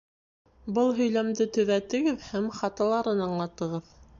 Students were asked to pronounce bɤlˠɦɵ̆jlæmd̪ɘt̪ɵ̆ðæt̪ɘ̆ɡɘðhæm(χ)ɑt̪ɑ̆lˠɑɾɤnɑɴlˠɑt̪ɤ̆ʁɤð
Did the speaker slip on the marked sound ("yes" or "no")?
no